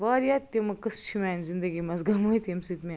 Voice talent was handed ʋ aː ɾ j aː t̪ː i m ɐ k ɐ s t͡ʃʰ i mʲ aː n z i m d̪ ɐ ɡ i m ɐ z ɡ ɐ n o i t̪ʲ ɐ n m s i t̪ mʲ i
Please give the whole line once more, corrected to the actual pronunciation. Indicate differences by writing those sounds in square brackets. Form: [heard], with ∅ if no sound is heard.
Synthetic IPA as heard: ʋ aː ɾ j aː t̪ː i m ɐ k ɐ s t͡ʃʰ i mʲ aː n z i [n] d̪ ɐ ɡ i m ɐ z ɡ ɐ [m] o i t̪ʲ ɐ [∅] m s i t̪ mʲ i